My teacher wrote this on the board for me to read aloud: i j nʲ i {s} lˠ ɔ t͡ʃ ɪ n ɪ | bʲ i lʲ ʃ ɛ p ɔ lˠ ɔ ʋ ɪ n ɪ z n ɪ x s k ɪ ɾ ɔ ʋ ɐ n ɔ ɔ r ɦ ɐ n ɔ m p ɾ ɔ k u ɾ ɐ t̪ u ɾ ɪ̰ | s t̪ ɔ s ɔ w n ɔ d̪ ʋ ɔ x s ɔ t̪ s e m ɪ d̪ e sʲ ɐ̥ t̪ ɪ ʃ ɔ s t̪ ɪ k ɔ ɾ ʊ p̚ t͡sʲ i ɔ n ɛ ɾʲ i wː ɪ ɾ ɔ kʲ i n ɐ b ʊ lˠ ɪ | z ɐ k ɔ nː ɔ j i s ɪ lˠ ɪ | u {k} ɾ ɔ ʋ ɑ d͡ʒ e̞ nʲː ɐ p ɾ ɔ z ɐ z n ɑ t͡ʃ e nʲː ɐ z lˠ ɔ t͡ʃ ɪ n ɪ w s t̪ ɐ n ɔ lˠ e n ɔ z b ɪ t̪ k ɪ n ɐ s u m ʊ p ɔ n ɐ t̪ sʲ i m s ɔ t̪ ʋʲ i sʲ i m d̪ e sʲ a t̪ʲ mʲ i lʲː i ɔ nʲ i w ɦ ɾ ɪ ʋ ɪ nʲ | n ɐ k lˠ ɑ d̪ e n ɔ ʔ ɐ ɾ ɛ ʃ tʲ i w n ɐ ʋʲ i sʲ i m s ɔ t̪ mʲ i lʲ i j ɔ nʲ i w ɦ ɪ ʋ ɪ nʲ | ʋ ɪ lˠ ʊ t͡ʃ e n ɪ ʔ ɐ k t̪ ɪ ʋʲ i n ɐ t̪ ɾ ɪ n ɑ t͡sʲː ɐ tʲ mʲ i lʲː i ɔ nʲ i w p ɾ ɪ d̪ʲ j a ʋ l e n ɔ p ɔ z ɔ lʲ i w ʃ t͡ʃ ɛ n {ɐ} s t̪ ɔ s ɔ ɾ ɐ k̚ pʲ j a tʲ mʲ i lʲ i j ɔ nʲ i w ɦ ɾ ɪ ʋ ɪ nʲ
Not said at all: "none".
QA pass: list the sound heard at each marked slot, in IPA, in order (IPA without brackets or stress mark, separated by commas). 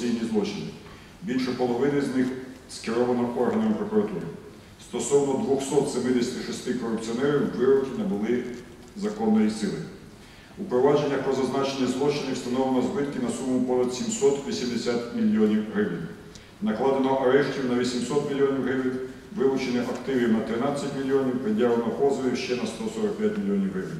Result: z, p, ɐ